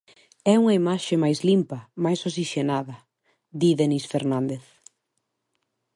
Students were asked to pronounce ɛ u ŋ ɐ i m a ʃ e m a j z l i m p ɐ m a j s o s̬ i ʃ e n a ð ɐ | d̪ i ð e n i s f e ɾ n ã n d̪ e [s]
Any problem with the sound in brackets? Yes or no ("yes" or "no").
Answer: yes